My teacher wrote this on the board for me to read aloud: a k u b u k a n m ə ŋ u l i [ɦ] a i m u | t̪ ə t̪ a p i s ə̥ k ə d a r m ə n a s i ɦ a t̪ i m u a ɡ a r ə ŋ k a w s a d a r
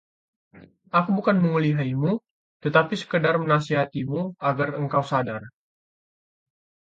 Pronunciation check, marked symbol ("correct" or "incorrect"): correct